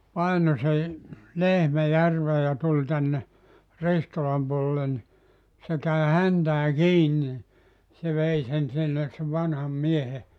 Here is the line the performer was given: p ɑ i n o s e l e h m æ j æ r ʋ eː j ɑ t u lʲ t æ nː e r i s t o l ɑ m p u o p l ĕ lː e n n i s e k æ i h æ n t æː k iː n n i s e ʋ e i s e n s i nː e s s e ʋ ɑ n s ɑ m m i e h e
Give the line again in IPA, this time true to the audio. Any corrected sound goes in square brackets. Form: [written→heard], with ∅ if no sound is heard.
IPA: p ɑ i n o s e l e h m æ j æ r ʋ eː j ɑ t u lʲ t æ nː e r i s t o l ɑ m p u o [p→∅] l ĕ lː e n n i s e k æ i h æ n t æː k iː n n i s e ʋ e i s e n s i nː e s s e ʋ ɑ n [s→h] ɑ m m i e h e